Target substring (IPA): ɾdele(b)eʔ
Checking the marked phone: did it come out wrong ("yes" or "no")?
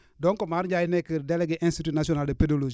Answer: yes